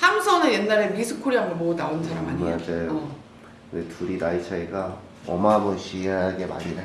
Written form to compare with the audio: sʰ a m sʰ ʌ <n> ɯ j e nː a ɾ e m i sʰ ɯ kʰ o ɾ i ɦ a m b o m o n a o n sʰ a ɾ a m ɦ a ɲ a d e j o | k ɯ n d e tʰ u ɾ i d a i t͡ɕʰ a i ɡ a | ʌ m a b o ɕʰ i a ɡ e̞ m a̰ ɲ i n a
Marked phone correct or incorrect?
correct